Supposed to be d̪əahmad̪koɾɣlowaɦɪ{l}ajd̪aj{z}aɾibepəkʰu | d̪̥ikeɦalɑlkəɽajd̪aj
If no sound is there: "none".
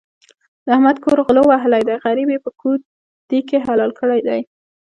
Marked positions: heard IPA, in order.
l, ɣ

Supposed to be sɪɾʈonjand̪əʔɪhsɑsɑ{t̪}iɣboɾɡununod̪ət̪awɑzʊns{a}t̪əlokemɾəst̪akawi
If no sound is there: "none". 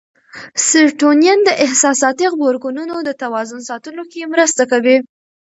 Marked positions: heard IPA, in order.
t̪, ɑ

